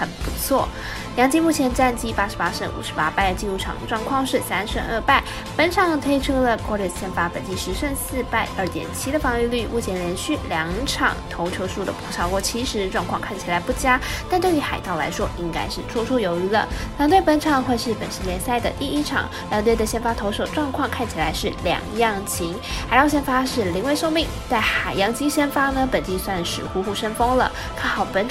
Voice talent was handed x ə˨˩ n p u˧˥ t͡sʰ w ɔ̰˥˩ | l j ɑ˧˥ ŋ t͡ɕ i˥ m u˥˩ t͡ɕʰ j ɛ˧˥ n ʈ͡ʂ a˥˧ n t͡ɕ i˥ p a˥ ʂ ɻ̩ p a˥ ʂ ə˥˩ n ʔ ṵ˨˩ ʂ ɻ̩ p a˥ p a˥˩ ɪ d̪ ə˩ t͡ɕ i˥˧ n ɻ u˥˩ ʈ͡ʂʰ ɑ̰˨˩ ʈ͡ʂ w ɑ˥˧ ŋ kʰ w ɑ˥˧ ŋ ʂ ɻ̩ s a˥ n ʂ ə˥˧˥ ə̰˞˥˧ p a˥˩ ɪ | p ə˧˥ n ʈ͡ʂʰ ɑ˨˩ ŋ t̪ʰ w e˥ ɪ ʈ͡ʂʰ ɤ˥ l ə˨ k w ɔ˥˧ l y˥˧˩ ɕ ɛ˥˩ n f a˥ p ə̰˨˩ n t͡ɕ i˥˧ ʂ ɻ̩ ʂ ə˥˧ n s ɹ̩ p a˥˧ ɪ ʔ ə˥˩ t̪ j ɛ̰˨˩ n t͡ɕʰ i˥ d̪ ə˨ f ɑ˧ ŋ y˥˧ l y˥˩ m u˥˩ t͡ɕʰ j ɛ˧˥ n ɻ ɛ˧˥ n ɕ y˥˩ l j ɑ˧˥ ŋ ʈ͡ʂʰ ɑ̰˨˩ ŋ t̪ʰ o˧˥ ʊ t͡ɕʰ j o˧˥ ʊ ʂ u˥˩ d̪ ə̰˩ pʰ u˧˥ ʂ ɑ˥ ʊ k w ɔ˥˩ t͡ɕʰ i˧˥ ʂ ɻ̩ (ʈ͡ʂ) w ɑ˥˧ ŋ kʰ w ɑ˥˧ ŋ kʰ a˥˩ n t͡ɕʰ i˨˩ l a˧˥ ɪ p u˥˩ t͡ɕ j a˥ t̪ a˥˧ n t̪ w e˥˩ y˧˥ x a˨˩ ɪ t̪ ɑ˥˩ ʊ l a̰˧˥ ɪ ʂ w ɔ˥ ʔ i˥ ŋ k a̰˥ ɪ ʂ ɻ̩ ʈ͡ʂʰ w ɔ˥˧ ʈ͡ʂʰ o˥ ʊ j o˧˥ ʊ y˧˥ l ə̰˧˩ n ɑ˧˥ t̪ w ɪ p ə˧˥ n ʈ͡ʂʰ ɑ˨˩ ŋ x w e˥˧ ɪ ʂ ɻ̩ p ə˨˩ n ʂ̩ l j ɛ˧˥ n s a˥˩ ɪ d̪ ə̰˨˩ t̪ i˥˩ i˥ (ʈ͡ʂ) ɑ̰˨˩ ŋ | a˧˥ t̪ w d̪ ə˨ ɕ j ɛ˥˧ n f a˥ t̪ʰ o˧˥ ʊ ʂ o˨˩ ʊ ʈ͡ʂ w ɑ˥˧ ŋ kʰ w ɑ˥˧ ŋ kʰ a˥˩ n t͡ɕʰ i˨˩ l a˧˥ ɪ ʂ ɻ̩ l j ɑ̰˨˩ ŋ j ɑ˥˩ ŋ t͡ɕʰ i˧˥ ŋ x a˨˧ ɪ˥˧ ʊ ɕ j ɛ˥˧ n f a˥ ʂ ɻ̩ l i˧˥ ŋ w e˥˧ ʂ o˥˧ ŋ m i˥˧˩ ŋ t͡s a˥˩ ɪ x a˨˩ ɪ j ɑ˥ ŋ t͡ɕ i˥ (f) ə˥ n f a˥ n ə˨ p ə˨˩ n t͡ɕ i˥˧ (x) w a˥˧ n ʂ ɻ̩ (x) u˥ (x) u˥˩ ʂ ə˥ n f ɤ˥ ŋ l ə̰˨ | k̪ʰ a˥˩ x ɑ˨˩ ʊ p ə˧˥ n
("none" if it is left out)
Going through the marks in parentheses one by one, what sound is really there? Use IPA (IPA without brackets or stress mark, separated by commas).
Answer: ʈ͡ʂ, ʈ͡ʂʰ, ɕ, s, x, x